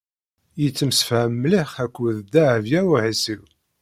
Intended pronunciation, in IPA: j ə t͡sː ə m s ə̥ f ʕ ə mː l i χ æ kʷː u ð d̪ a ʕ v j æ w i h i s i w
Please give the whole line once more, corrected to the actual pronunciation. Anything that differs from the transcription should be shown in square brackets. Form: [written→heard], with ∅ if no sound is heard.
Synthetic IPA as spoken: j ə t͡sː ə m s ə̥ f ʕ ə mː l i χ æ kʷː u ð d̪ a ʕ v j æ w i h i s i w